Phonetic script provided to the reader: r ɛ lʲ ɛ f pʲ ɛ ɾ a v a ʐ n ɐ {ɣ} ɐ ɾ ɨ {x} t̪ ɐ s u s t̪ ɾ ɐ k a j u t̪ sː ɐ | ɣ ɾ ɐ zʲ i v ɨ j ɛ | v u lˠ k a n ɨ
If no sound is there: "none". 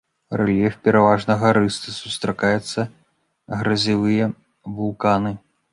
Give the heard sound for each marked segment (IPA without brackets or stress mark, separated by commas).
ɣ, s